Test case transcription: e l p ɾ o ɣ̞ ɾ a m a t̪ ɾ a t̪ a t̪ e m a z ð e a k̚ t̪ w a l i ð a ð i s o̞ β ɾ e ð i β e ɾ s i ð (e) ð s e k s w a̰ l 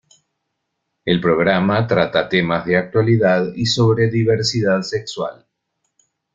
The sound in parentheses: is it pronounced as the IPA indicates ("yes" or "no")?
no